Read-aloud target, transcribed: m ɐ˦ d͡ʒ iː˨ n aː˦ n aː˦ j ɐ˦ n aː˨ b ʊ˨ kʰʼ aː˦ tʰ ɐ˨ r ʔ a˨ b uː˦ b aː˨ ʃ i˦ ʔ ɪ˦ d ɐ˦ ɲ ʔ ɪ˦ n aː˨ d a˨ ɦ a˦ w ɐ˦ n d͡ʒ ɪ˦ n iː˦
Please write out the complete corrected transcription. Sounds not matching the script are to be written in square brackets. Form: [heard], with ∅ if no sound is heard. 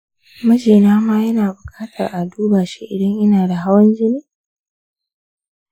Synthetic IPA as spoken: m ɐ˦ d͡ʒ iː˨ n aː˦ [m] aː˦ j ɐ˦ n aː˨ b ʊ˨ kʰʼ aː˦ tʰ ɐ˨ r ʔ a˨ [d] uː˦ b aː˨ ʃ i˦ ʔ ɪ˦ d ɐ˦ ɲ ʔ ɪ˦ n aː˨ d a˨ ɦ a˦ w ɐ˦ n d͡ʒ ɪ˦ n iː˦